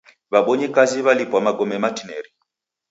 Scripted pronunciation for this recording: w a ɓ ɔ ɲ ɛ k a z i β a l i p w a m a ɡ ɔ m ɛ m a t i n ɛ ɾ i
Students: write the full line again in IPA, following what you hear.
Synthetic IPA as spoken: β a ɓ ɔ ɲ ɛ k a z i β a l i p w a m a ɡ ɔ m ɛ m a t i n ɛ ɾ i

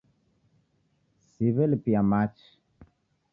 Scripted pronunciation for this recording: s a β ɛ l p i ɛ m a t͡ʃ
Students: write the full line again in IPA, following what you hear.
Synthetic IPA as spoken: s i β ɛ l p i a m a t͡ʃ

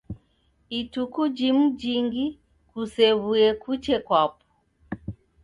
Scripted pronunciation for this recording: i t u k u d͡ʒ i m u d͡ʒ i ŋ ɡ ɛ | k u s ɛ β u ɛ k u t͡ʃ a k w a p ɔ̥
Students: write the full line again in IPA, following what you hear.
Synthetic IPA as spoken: i t u k u d͡ʒ i m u d͡ʒ i ŋ ɡ i | k u s ɛ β u ɛ k u t͡ʃ ɛ k w a p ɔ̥

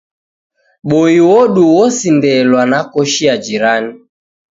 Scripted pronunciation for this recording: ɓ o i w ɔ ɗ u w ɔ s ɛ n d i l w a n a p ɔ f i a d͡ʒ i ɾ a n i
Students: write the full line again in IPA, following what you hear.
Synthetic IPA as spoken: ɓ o i w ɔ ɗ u w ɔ s i n d ɛ l w a n a k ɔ ʃ i a d͡ʒ i ɾ a n i

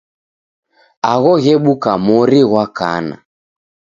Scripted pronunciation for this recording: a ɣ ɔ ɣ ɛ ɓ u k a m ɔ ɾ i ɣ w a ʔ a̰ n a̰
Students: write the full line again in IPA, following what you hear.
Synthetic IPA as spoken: a ɣ ɔ ɣ ɛ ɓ u k a m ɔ ɾ i ɣ w a k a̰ n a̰

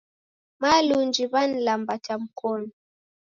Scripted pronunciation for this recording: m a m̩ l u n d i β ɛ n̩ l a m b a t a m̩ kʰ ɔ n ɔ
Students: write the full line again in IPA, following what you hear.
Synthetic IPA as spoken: m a l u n d͡ʒ i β a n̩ l a m b a t a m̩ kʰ ɔ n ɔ

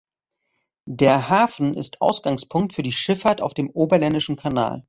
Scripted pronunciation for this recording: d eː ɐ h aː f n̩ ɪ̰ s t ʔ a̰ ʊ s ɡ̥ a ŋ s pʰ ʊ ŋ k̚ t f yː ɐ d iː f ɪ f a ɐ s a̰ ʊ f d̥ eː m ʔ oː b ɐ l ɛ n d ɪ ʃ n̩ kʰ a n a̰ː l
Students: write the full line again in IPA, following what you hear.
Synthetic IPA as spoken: d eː ɐ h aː f n̩ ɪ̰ s t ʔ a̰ ʊ s ɡ̥ a ŋ s pʰ ʊ ŋ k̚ t f yː ɐ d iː ʃ ɪ f a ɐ t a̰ ʊ f d̥ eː m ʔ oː b ɐ l ɛ n d ɪ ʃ n̩ kʰ a n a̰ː l

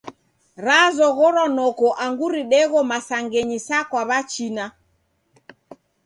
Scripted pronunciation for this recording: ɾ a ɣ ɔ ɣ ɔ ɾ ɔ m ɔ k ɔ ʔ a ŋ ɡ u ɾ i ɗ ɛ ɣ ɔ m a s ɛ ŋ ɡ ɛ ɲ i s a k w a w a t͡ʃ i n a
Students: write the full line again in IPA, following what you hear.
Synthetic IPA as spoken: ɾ a z ɔ ɣ ɔ ɾ ɔ n ɔ k ɔ ʔ a ŋ ɡ u ɾ i ɗ ɛ ɣ ɔ m a s a ŋ ɡ ɛ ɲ i s a k w a β a t͡ʃ i n a

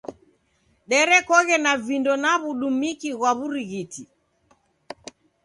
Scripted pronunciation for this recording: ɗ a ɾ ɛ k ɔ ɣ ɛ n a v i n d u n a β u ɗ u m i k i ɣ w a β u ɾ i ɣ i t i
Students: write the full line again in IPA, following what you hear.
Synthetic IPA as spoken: ɗ ɛ ɾ ɛ k ɔ ɣ ɛ n a v i n d ɔ n a β u ɗ u m i k i ɣ w a β u ɾ i ɣ i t i

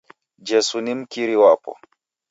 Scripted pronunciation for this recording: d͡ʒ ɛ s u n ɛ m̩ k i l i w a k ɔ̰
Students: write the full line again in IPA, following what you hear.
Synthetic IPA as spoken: d͡ʒ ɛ s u n i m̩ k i ɾ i w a p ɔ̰

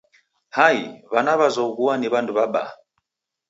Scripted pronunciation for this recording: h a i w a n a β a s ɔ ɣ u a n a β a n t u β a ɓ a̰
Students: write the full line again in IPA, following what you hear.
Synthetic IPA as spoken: h a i β a n a β a z ɔ ɣ u a n i β a n d u β a ɓ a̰

